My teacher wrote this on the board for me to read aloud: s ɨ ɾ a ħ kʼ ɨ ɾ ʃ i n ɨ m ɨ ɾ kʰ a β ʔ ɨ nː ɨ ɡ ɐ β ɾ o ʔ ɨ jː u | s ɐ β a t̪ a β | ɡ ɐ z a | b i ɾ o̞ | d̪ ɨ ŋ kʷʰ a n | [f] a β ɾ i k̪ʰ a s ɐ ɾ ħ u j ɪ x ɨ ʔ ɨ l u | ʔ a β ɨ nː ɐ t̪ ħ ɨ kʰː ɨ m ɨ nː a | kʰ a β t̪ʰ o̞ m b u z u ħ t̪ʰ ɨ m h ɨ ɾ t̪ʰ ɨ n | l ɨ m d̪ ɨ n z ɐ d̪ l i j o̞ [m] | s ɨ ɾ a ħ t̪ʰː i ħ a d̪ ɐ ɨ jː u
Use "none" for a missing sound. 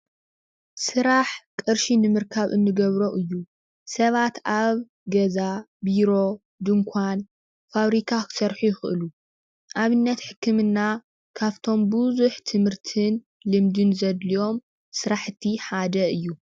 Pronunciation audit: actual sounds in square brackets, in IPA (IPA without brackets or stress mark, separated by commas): f, m